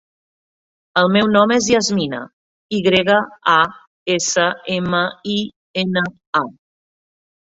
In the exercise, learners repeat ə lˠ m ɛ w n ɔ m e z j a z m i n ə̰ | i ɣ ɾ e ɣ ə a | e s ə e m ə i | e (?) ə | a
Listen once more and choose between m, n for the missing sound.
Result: n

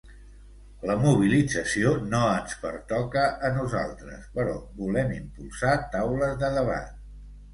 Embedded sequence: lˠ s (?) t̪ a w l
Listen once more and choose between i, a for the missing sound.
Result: a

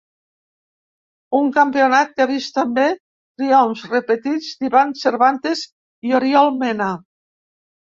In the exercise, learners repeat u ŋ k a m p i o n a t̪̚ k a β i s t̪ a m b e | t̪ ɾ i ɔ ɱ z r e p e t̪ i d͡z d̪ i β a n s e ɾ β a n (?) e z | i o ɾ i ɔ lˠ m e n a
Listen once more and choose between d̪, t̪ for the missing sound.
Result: t̪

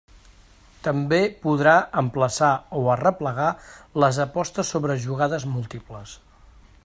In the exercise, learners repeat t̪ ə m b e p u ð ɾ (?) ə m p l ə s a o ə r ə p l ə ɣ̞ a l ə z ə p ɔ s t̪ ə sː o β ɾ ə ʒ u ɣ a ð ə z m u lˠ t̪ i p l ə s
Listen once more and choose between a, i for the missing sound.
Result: a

